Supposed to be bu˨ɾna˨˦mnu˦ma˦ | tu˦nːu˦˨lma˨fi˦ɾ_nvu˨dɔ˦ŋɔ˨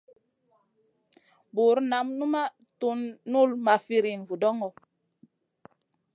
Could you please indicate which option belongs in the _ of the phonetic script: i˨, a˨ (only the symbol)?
i˨